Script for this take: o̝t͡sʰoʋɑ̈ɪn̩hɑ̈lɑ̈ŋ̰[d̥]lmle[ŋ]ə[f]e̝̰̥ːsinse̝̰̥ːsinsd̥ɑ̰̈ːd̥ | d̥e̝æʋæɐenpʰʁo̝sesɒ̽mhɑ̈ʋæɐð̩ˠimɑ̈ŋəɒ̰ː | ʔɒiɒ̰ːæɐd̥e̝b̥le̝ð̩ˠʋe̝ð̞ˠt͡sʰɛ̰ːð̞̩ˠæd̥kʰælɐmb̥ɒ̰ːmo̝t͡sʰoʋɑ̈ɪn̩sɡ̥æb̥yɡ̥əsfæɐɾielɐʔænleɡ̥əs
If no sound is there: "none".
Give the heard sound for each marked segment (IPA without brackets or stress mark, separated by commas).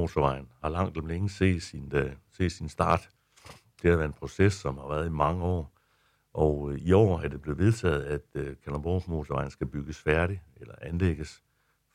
d̥, ŋ, s